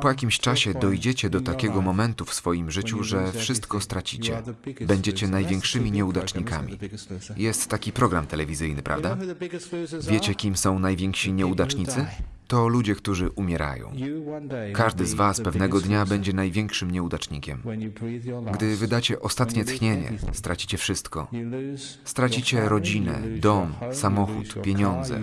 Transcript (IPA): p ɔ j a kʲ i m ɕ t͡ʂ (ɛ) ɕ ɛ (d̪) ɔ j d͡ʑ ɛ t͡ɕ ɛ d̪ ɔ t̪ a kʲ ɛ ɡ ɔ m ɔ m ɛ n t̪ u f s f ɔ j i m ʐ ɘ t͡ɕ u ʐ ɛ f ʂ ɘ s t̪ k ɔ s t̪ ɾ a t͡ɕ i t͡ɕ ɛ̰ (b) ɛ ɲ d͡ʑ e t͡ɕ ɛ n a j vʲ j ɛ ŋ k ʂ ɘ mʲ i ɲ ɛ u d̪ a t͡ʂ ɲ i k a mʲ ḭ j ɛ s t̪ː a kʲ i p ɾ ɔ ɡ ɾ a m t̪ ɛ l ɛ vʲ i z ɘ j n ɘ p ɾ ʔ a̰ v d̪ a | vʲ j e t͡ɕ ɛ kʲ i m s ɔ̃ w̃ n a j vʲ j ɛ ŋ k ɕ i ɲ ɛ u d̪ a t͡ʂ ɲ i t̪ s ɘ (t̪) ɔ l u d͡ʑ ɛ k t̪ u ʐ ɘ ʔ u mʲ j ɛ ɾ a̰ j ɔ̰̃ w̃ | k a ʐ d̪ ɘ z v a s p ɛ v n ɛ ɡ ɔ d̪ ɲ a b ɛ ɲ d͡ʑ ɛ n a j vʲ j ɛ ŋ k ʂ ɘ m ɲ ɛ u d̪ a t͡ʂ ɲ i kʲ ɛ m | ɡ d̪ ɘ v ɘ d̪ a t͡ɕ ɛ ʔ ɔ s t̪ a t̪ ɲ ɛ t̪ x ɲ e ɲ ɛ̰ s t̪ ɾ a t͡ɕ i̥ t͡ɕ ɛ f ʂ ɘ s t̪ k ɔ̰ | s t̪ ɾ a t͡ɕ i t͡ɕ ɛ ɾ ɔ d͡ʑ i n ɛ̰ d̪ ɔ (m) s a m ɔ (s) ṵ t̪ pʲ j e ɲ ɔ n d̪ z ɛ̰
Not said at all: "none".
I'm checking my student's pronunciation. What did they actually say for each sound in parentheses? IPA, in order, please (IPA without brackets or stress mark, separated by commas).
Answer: a, d̪, b, t̪, m, x